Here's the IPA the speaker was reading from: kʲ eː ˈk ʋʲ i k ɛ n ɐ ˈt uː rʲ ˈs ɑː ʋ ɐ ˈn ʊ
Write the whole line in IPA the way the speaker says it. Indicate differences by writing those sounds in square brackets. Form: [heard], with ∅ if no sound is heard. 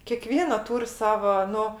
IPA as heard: kʲ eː ˈk ʋʲ i [∅] ɛ n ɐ ˈt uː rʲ ˈs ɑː ʋ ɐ ˈn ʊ